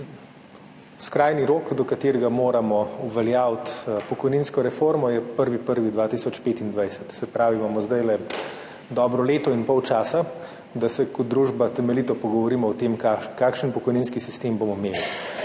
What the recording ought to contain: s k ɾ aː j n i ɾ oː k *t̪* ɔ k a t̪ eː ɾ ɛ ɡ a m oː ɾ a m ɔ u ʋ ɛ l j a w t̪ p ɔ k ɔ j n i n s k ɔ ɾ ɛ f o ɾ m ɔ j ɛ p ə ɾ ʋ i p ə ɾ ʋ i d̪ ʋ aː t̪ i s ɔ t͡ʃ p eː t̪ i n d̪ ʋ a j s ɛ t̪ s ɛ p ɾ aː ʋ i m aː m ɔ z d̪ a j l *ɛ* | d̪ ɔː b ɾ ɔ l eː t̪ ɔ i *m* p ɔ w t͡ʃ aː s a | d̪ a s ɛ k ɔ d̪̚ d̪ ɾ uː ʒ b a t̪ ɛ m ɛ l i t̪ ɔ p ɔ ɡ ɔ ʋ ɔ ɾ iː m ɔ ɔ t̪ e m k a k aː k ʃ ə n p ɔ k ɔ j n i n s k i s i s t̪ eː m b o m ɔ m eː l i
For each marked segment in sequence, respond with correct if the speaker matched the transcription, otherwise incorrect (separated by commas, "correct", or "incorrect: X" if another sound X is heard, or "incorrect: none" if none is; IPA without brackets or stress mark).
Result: incorrect: d̪, correct, incorrect: n